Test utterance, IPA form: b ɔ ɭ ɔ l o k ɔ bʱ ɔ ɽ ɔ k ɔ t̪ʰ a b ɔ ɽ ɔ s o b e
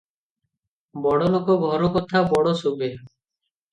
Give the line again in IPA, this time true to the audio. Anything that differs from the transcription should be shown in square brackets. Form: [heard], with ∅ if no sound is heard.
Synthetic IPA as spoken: b ɔ [ɽ] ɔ l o k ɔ [ɡʱ] ɔ [ɾ] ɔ k ɔ t̪ʰ a b ɔ ɽ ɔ s o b e